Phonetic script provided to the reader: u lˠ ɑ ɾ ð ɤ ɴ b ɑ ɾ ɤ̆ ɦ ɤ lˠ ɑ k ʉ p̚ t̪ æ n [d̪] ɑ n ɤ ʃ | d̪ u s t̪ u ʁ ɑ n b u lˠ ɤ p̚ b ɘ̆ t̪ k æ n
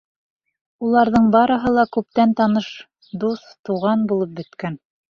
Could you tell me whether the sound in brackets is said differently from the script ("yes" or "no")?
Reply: yes